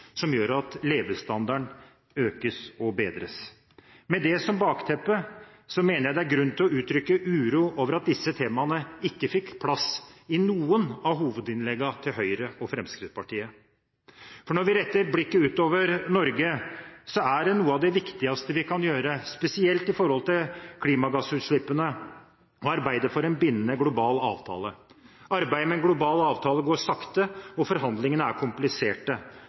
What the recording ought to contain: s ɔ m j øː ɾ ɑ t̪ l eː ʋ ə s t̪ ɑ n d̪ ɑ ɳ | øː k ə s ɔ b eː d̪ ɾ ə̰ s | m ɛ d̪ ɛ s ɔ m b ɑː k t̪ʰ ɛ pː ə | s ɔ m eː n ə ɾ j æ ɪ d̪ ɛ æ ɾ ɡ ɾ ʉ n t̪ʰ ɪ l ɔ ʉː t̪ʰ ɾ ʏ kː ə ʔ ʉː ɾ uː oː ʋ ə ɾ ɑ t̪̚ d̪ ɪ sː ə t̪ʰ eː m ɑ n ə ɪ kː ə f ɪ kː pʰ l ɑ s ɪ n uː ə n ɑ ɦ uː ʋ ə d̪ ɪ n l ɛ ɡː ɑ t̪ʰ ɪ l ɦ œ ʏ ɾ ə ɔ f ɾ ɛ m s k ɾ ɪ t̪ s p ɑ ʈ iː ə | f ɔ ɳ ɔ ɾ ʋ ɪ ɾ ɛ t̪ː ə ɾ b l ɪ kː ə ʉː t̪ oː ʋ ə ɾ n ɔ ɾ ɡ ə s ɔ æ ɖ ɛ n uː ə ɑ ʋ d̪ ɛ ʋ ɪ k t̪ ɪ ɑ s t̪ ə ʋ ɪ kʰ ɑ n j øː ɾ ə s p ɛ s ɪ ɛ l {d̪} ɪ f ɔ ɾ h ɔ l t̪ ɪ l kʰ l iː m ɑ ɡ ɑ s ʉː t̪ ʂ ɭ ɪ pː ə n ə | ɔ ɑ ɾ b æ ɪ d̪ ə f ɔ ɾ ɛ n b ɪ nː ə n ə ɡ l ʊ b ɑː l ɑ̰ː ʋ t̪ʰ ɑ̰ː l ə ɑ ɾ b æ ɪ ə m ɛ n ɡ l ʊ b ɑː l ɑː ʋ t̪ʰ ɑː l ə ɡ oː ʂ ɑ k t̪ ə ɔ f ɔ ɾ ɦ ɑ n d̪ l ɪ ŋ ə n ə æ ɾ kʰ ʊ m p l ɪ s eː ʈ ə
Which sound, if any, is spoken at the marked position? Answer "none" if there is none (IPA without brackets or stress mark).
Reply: t̪